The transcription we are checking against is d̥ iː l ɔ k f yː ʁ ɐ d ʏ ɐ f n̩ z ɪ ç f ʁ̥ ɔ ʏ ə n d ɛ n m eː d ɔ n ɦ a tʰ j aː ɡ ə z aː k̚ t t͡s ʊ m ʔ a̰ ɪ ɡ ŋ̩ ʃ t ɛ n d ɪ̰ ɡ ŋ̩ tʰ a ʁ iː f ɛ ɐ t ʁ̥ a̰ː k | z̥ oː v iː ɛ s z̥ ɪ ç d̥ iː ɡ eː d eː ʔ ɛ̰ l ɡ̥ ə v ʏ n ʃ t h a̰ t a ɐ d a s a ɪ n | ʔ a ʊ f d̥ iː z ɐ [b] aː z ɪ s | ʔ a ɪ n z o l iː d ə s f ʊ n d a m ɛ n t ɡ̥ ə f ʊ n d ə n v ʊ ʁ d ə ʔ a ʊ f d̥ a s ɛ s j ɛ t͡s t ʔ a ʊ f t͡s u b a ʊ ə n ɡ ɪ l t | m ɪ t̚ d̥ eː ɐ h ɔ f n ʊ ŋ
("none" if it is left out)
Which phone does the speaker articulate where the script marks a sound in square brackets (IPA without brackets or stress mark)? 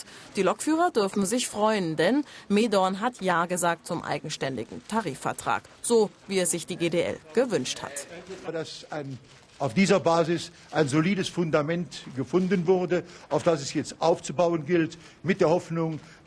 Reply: b